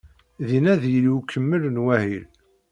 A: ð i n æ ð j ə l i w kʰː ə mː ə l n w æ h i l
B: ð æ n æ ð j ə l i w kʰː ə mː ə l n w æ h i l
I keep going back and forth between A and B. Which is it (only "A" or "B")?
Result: A